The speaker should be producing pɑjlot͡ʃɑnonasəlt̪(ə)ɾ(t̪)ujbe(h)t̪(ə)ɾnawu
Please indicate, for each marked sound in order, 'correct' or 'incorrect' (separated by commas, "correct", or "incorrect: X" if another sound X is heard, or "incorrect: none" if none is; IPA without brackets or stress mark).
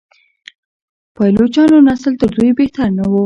correct, incorrect: d̪, correct, incorrect: a